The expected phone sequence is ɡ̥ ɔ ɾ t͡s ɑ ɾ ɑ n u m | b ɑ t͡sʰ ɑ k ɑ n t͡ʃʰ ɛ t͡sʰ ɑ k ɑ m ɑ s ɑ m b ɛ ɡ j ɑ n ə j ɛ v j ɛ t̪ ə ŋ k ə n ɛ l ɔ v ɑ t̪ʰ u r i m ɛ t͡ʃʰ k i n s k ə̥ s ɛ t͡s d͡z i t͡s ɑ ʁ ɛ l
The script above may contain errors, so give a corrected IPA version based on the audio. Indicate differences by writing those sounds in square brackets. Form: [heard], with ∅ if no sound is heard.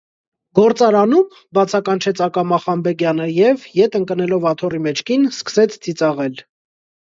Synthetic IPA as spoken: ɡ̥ ɔ ɾ t͡s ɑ ɾ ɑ n u m | b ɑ t͡sʰ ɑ k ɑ n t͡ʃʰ ɛ t͡sʰ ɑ k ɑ m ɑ [χ] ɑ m b ɛ ɡ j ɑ n ə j ɛ v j ɛ t̪ ə ŋ k ə n ɛ l ɔ v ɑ t̪ʰ [ɔ] r i m ɛ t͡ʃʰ k i n s k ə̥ s ɛ [t͡sʰ] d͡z i t͡s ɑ ʁ ɛ l